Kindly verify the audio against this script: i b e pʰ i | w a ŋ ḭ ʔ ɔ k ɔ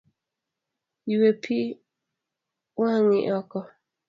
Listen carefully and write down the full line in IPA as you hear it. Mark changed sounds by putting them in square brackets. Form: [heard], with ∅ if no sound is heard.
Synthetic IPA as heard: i [w] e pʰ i | w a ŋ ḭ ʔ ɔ k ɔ